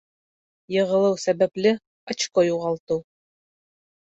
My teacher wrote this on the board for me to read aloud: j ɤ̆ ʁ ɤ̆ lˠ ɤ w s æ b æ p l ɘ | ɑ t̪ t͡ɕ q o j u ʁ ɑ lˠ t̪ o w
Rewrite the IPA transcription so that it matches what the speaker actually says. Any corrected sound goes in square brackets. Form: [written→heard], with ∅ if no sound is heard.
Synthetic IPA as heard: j ɤ̆ ʁ ɤ̆ lˠ ɤ w s æ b æ p l ɘ | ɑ [t̪→∅] t͡ɕ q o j u ʁ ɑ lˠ t̪ [o→ɤ] w

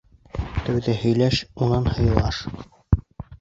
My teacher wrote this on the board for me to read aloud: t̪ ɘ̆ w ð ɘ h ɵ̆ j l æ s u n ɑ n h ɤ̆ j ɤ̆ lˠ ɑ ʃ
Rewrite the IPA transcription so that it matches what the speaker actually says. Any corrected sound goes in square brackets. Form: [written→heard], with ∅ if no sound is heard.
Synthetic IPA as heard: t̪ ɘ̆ w ð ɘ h ɵ̆ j l æ [s→ʃ] u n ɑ n h ɤ̆ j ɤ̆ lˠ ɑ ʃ

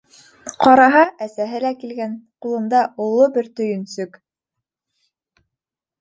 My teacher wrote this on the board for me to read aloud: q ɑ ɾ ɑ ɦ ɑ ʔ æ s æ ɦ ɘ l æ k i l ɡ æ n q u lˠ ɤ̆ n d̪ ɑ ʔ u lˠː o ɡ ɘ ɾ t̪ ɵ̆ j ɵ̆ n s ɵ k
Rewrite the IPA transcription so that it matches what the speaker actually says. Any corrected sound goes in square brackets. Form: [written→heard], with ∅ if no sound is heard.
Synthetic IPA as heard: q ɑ ɾ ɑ ɦ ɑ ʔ æ s æ ɦ ɘ l æ k i l ɡ æ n q u lˠ ɤ̆ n d̪ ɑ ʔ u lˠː o [ɡ→b] ɘ ɾ t̪ ɵ̆ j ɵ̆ n s ɵ k

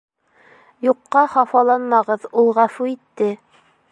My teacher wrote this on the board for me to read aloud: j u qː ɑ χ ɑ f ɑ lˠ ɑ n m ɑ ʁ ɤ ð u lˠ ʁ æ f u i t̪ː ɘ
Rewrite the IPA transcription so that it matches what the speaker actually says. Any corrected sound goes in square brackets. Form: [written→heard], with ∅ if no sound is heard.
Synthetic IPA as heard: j u qː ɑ χ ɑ f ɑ lˠ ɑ n m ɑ ʁ ɤ ð u lˠ ʁ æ f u i t̪ː ɘ

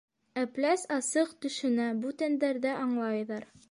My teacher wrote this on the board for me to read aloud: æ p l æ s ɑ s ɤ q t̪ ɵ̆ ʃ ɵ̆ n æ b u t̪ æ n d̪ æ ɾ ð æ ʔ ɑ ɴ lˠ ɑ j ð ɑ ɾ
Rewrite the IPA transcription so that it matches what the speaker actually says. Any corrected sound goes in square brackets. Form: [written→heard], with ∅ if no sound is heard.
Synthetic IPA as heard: æ p l æ s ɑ s ɤ q t̪ ɵ̆ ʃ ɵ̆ n æ b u t̪ æ n d̪ æ ɾ ð æ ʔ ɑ ɴ lˠ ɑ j ð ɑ ɾ

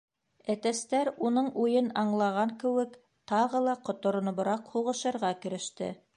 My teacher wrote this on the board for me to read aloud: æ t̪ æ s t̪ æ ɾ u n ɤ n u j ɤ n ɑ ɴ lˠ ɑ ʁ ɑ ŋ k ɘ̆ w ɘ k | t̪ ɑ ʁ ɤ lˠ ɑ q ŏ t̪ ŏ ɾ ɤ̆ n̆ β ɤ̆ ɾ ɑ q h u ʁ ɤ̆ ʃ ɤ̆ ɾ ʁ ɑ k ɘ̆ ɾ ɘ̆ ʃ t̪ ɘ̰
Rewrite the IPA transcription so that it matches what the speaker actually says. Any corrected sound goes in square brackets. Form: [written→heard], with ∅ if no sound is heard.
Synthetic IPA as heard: æ t̪ æ s t̪ æ ɾ u n ɤ [n→ɴ] u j ɤ n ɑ ɴ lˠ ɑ ʁ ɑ ŋ k ɘ̆ w ɘ k | t̪ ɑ ʁ ɤ lˠ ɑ q ŏ t̪ ŏ ɾ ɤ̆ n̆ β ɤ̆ ɾ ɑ q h u ʁ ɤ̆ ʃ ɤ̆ ɾ ʁ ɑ k ɘ̆ ɾ ɘ̆ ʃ t̪ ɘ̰

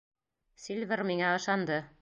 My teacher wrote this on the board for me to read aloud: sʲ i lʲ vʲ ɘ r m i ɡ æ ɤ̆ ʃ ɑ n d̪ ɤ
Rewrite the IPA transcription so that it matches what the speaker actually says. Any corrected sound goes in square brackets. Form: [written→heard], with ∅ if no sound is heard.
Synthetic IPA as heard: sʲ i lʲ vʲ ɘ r m i [ɡ→ŋ] æ ɤ̆ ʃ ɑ n d̪ ɤ

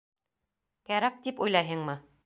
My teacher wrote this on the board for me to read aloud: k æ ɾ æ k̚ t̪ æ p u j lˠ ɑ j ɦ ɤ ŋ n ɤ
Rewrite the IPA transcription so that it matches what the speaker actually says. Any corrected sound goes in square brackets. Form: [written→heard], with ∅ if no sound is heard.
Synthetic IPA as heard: k æ ɾ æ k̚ t̪ [æ→i] p u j lˠ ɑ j ɦ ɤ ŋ [n→m] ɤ

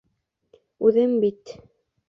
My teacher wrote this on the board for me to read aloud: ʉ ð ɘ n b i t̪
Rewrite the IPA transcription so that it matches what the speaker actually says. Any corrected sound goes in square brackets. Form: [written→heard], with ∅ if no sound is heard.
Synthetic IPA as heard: ʉ ð ɘ [n→m] b i t̪

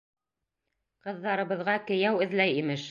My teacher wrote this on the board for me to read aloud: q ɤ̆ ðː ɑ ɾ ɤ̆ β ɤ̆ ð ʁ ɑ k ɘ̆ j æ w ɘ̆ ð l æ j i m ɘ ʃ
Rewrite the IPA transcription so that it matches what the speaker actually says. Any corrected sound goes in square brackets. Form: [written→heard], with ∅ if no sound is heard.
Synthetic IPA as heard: q ɤ̆ ðː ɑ ɾ ɤ̆ β ɤ̆ ð ʁ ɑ k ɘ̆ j æ w ɘ̆ ð l æ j i m ɘ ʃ

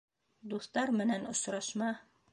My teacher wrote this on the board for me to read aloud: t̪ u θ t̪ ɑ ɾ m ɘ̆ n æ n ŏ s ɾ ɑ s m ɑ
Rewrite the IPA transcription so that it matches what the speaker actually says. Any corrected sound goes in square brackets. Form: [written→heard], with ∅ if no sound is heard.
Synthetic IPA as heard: [t̪→d̪] u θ t̪ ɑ ɾ m ɘ̆ n æ n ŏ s ɾ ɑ [s→ʃ] m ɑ

